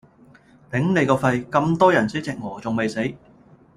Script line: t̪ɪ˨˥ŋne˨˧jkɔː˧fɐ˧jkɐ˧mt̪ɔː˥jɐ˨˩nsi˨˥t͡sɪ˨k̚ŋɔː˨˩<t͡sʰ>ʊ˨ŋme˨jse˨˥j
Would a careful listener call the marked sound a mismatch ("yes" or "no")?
yes